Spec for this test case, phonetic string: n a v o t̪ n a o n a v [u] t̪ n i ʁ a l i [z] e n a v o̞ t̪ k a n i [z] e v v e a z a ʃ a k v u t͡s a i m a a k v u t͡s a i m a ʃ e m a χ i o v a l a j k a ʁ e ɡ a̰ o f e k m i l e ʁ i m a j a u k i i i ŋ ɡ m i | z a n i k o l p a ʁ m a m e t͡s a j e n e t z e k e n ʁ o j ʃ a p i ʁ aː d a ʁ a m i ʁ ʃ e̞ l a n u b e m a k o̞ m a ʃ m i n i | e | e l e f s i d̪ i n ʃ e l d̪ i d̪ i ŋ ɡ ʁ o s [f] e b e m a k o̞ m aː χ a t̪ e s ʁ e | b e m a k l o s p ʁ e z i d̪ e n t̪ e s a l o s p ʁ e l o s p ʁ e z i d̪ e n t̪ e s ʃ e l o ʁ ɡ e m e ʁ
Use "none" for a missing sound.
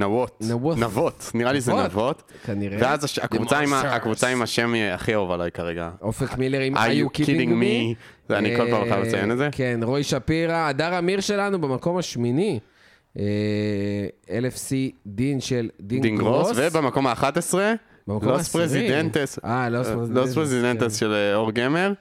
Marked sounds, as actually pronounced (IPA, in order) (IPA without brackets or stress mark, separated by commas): o, z, ʁ, v